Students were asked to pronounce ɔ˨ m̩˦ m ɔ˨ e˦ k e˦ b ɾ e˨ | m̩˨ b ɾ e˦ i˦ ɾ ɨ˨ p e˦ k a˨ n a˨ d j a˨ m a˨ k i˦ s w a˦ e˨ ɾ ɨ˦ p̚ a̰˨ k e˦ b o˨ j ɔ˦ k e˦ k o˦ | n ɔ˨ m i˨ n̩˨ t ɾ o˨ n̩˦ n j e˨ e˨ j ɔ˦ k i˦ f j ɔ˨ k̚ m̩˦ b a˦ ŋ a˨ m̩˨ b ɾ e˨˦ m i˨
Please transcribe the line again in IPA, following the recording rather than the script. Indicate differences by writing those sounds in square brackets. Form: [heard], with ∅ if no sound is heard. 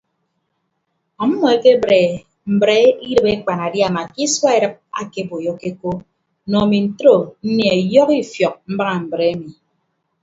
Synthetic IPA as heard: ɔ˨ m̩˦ m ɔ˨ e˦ k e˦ b ɾ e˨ | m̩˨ b ɾ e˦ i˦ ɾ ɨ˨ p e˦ [k͡p] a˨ n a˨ d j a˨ m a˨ k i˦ s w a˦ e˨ ɾ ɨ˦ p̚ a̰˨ k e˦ b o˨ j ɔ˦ k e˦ k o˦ | n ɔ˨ m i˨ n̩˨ t ɾ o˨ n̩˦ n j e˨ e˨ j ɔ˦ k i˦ f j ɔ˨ k̚ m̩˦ b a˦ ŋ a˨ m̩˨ b ɾ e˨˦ m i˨